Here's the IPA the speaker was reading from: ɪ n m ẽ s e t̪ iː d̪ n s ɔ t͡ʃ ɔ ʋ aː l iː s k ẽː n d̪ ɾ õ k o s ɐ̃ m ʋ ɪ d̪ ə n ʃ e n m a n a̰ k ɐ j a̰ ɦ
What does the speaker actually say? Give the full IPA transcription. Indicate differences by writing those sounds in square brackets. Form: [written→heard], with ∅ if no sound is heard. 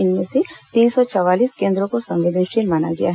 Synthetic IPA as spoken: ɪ n m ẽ s e t̪ iː [d̪→∅] n s ɔ t͡ʃ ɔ ʋ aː l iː s k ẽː n d̪ ɾ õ k o s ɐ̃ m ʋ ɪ d̪ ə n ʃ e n m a n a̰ [k→ɡ] ɐ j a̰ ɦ